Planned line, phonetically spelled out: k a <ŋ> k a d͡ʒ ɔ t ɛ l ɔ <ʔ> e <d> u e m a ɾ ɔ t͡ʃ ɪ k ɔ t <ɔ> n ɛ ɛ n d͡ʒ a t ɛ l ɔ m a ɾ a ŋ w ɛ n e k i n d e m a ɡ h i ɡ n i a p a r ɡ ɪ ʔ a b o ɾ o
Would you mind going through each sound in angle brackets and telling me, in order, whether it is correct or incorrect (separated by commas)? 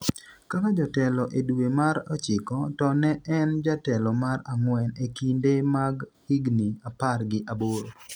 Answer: incorrect, correct, correct, correct